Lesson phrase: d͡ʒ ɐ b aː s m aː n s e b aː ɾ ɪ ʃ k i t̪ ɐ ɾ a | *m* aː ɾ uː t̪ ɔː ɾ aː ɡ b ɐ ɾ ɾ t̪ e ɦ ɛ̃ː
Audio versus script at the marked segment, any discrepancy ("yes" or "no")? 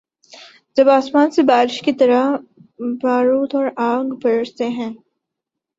yes